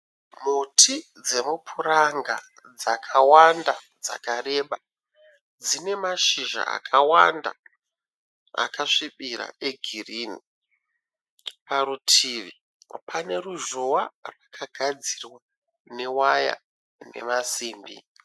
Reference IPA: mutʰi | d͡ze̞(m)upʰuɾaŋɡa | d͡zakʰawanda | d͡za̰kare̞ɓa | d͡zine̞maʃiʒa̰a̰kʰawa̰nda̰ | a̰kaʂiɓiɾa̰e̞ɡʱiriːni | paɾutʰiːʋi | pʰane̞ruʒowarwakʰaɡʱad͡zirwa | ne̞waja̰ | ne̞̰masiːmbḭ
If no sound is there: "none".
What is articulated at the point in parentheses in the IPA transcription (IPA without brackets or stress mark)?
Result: m